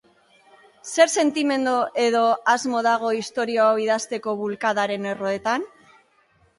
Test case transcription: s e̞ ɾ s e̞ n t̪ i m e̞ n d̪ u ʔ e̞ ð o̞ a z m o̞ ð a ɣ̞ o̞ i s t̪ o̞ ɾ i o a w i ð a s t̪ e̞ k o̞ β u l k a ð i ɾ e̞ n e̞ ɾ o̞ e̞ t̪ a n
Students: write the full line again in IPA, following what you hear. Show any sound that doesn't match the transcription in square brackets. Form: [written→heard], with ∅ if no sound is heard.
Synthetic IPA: s e̞ ɾ s e̞ n t̪ i m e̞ n d̪ [u→o] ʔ e̞ ð o̞ a z m o̞ ð a ɣ̞ o̞ i s t̪ o̞ ɾ i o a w i ð a s t̪ e̞ k o̞ β u l k a ð [i→a] ɾ e̞ n e̞ [ɾ→r] o̞ e̞ t̪ a n

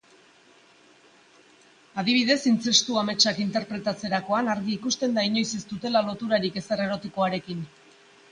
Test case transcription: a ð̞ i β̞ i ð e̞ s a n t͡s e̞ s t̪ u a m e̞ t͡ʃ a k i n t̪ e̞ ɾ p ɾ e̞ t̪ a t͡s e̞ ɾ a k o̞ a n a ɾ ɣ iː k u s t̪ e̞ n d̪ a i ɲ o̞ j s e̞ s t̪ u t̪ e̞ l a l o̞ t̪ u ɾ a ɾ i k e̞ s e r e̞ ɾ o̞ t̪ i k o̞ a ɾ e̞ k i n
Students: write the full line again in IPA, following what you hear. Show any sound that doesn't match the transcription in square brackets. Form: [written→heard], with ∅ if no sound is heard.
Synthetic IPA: a ð̞ i β̞ i ð e̞ s [a→i] n t͡s e̞ s t̪ u a m e̞ t͡ʃ a k i n t̪ e̞ ɾ p ɾ e̞ t̪ a t͡s e̞ ɾ a k o̞ a n a ɾ ɣ iː k u s t̪ e̞ n d̪ a i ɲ o̞ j s e̞ s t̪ u t̪ e̞ l a l o̞ t̪ u ɾ a ɾ i k e̞ s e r e̞ ɾ o̞ t̪ i k o̞ a ɾ e̞ k i n

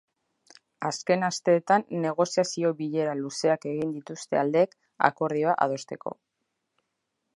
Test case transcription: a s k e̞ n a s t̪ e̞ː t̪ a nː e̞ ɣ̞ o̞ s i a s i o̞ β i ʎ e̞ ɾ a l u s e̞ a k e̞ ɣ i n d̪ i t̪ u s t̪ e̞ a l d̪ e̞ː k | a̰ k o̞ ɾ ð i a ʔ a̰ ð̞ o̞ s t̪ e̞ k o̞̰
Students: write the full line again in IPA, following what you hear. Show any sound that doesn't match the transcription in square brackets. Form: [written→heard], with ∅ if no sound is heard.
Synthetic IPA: a s k e̞ n a s t̪ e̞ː t̪ a nː e̞ ɣ̞ o̞ s i a s i o̞ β i ʎ e̞ ɾ a l u s e̞ a k e̞ ɣ i n d̪ i t̪ u s t̪ e̞ a l d̪ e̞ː k | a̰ k o̞ ɾ ð i a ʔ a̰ ð̞ o̞ s t̪ e̞ k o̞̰

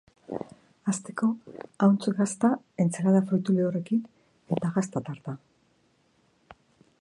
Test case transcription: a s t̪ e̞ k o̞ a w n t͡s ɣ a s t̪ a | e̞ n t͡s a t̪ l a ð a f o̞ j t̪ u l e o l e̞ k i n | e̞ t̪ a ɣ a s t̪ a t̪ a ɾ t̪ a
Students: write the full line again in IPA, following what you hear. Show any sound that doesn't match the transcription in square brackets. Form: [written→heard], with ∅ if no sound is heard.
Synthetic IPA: a s t̪ e̞ k o̞ a w n t͡s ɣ a s t̪ a | e̞ n t͡s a [t̪→∅] l a ð a f o̞ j t̪ u l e o [l→r] e̞ k i n | e̞ t̪ a ɣ a s t̪ a t̪ a ɾ t̪ a

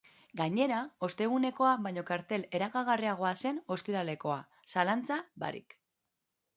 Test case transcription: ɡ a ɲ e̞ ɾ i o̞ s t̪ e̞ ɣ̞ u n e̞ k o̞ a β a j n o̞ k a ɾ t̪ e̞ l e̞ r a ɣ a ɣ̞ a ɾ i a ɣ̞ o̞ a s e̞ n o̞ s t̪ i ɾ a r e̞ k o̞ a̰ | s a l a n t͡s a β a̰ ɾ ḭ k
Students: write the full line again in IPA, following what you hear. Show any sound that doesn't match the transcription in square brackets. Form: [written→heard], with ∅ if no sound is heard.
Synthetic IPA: ɡ a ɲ e̞ ɾ [i→a] o̞ s t̪ e̞ ɣ̞ u n e̞ k o̞ a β a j [n→ɲ] o̞ k a ɾ t̪ e̞ l e̞ [r→ɾ] a ɣ a ɣ̞ a [ɾ→r] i a ɣ̞ o̞ a s e̞ n o̞ s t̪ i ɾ a [r→l] e̞ k o̞ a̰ | s a l a n t͡s a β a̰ ɾ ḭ k

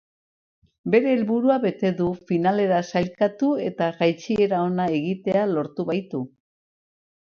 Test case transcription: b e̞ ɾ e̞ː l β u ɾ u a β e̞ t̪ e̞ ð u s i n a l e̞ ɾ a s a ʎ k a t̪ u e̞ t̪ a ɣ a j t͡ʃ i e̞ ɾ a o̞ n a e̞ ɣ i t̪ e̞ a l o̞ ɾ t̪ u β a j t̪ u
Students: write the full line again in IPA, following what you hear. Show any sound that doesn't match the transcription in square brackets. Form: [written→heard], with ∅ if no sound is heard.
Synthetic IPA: b e̞ ɾ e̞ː l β u ɾ u a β e̞ t̪ e̞ ð u [s→f] i n a l e̞ ɾ a s a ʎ k a t̪ u e̞ t̪ a ɣ a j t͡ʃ i e̞ ɾ a o̞ n a e̞ ɣ i t̪ e̞ a l o̞ ɾ t̪ u β a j t̪ u

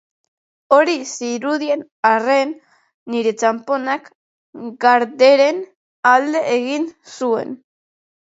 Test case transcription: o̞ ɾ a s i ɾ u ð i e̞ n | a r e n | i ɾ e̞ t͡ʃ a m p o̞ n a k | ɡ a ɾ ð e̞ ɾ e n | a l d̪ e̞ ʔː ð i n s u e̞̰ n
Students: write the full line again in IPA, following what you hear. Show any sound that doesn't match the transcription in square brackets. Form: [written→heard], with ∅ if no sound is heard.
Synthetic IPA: o̞ ɾ [a→i] s i ɾ u ð i e̞ n | a r e [n→nː] | i ɾ e̞ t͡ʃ a m p o̞ n a k | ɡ a ɾ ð e̞ ɾ e n | a l d̪ e̞ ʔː [ð→ɣ] i n s u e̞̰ n

